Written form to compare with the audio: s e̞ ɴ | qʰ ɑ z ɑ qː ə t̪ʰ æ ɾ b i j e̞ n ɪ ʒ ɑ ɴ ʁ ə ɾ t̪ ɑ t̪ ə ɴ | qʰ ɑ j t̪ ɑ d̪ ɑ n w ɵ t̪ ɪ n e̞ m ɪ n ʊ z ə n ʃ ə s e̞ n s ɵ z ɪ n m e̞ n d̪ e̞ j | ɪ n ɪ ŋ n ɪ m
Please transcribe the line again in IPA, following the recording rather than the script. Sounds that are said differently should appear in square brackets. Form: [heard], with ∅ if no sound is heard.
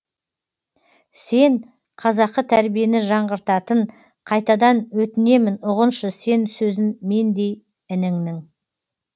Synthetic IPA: s e̞ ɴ | qʰ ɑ z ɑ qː ə t̪ʰ æ ɾ b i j e̞ n ɪ ʒ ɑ ɴ ʁ ə ɾ t̪ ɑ t̪ ə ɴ | qʰ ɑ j t̪ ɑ d̪ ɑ n w ɵ t̪ ɪ n e̞ m ɪ n ʊ [ʁ] ə n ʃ ə s e̞ n s ɵ z ɪ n m e̞ n d̪ e̞ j | ɪ n ɪ ŋ n ɪ [ŋ]